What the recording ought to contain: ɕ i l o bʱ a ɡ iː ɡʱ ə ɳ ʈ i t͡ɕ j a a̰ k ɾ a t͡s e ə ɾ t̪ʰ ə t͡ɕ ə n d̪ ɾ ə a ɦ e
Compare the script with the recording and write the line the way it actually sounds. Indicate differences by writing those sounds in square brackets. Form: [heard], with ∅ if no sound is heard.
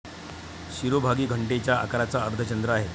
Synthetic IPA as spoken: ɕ i [ɾ] o bʱ a ɡ iː ɡʱ ə ɳ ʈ [e] t͡ɕ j a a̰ k ɾ a t͡s [a] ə ɾ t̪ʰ ə t͡ɕ ə n d̪ ɾ ə a ɦ e